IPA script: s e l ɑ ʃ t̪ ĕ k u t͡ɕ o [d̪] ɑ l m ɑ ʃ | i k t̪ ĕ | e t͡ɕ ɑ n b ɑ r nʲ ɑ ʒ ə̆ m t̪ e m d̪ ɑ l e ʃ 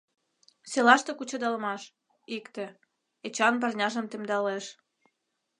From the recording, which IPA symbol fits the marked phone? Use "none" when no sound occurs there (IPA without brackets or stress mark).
d̪